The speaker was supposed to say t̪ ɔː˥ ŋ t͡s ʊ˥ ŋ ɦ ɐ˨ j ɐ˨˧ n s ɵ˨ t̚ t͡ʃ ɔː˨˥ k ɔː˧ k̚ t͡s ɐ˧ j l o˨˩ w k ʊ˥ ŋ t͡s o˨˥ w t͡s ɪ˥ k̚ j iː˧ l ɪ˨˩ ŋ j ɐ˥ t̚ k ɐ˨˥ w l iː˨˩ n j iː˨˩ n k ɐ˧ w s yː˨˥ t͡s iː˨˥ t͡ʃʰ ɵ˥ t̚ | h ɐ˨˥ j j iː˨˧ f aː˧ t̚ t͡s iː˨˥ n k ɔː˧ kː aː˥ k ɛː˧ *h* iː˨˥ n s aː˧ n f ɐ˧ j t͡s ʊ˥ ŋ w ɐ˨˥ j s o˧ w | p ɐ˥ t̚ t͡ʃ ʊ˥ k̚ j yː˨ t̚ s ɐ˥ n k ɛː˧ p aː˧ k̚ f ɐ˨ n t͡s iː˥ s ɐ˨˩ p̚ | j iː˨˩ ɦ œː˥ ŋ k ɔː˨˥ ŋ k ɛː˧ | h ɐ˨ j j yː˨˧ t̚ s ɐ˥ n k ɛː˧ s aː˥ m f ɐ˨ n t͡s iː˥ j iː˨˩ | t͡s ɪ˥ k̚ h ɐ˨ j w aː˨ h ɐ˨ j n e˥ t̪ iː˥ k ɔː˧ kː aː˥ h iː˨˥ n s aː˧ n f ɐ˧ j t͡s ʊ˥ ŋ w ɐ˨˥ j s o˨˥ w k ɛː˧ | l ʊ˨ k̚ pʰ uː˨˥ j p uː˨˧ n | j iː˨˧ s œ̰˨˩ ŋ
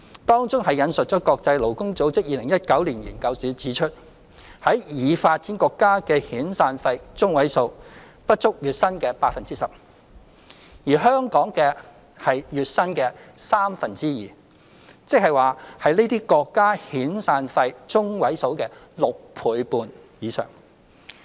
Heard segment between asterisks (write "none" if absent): h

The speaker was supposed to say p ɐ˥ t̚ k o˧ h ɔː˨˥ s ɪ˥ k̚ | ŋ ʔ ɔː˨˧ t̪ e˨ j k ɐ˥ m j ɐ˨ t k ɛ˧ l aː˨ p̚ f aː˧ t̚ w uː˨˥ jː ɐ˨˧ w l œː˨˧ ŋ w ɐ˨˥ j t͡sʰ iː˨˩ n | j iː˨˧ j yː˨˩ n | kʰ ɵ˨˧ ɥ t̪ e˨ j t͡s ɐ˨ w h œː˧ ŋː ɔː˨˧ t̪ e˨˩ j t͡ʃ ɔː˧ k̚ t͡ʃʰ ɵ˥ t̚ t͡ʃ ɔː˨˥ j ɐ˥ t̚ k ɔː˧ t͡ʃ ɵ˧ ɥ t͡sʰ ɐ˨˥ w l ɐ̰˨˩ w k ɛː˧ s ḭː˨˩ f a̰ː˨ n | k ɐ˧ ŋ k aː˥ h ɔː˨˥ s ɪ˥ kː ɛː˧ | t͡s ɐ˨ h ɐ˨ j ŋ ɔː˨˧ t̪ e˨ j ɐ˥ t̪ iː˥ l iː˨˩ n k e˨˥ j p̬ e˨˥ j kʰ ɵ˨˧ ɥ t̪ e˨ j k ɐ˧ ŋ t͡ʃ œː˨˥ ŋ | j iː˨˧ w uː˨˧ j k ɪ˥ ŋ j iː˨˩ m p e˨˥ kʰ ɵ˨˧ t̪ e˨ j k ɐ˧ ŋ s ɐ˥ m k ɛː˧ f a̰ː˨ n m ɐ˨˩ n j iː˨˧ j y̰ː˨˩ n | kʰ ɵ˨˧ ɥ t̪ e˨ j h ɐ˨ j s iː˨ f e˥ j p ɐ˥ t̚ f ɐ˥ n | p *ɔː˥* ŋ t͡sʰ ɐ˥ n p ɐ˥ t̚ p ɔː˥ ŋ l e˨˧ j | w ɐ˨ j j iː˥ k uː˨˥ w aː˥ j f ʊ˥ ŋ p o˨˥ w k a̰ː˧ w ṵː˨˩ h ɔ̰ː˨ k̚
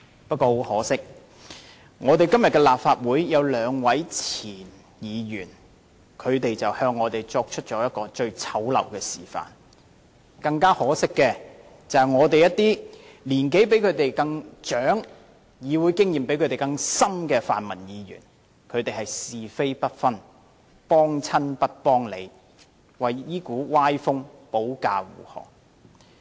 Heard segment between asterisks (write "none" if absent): ɔː˥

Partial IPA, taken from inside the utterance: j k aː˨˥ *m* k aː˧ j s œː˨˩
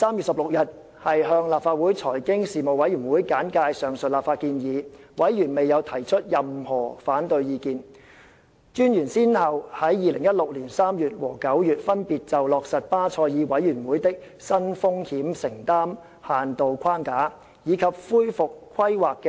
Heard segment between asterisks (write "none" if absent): n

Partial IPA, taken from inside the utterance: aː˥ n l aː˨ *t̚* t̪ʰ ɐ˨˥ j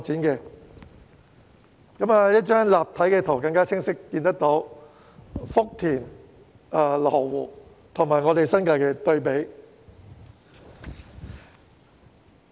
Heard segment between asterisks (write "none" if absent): p̚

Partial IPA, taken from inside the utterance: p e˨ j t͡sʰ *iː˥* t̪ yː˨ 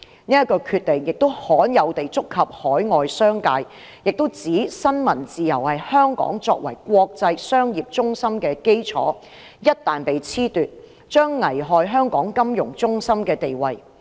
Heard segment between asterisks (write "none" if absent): iː˥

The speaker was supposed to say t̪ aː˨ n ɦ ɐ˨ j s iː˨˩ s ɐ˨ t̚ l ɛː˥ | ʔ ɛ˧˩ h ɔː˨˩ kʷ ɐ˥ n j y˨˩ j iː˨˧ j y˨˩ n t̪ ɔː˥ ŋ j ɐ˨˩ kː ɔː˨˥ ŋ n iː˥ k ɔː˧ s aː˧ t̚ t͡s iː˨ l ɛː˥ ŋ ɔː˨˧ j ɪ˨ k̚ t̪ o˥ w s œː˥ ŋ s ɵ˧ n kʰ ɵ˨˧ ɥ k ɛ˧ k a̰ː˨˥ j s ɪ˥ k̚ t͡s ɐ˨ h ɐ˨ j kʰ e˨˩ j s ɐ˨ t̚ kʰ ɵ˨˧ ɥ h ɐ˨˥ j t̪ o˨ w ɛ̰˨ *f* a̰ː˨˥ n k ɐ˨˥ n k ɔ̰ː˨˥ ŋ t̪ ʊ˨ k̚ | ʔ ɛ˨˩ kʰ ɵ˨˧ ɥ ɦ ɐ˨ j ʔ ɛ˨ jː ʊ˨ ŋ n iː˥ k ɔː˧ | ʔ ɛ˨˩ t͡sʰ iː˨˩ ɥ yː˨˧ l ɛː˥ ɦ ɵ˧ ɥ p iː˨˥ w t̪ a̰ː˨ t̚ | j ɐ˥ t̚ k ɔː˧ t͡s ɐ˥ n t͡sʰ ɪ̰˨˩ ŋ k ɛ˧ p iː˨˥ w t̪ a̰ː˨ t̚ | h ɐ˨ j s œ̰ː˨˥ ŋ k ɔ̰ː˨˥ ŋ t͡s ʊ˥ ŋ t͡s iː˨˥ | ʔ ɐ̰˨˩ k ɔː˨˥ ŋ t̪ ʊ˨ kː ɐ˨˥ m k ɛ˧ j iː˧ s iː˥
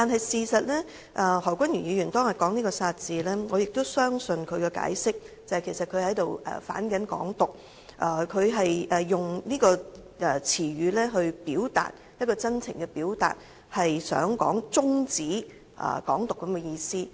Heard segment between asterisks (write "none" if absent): f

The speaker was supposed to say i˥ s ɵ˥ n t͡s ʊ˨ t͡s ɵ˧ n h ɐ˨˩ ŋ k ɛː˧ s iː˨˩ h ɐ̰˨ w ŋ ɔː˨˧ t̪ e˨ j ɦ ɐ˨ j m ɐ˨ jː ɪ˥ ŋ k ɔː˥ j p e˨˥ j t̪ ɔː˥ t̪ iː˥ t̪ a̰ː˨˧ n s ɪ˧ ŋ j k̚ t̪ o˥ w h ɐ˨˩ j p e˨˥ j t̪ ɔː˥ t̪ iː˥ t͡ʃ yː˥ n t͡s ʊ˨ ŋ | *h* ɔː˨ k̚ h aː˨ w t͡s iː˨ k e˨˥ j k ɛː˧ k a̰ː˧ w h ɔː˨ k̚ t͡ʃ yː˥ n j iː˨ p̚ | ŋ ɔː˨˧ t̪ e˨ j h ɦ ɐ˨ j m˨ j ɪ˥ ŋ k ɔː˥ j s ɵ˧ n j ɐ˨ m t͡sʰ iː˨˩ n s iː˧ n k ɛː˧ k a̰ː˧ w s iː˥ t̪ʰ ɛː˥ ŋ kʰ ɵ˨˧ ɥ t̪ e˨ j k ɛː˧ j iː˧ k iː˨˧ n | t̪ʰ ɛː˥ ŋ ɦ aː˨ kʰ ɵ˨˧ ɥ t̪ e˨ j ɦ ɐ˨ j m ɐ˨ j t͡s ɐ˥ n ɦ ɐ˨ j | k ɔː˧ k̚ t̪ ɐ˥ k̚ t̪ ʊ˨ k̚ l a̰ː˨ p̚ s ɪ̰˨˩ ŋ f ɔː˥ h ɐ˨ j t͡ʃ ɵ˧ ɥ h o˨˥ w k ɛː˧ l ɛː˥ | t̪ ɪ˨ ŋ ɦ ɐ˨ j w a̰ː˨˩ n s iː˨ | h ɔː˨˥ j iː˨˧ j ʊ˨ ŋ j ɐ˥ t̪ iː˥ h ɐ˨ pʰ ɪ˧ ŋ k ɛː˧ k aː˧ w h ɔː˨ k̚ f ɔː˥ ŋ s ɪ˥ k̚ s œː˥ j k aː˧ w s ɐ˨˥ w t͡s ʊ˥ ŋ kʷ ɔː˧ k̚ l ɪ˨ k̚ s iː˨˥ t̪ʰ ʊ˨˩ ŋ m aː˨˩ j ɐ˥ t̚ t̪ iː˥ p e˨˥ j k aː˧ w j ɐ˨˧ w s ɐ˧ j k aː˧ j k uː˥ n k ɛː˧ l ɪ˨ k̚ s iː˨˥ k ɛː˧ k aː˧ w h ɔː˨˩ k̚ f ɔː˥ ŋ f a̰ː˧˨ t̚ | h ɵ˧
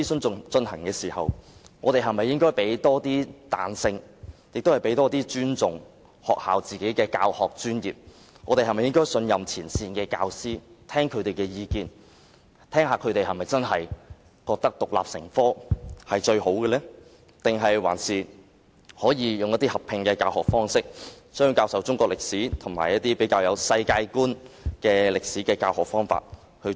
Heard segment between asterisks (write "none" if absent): h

